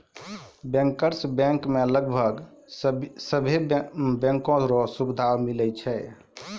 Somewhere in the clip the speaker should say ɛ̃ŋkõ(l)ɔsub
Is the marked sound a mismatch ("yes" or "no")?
yes